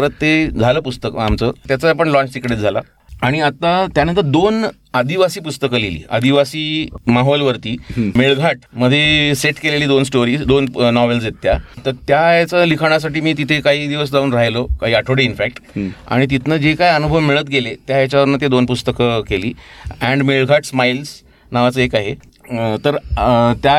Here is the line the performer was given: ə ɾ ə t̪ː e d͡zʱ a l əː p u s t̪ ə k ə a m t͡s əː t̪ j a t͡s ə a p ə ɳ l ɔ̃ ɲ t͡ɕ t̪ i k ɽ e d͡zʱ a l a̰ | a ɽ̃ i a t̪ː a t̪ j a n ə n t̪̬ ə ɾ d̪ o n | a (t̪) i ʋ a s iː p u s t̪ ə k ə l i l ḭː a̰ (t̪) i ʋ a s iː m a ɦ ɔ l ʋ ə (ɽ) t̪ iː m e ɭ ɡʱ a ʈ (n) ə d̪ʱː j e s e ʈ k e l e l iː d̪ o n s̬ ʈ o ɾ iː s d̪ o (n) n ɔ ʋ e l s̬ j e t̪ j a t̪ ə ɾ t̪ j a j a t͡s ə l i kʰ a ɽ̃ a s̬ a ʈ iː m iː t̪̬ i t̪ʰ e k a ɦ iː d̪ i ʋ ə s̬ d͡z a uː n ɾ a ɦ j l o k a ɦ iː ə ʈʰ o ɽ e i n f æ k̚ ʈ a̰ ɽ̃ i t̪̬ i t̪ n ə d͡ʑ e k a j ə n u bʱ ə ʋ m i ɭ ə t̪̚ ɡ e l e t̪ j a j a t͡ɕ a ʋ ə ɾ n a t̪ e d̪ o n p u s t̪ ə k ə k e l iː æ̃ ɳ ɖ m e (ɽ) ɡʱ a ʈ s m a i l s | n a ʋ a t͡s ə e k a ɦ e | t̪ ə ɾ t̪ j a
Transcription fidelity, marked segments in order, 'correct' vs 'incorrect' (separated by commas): incorrect, incorrect, incorrect, incorrect, correct, incorrect